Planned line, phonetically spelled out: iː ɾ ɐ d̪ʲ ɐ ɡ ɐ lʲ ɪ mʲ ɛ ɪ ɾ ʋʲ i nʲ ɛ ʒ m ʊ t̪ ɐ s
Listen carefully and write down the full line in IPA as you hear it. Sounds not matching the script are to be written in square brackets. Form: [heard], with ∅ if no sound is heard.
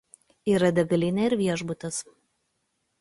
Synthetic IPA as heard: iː ɾ ɐ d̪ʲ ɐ ɡ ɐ lʲ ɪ [nʲ] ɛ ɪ ɾ ʋʲ i [∅] ɛ ʒ [b] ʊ t̪ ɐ s